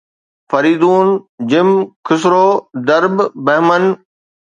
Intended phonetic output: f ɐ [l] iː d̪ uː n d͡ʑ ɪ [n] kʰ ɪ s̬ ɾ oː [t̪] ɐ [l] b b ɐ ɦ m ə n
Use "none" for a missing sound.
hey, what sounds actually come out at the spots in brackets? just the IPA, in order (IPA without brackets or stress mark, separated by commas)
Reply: ɾ, m, d̪, ɾ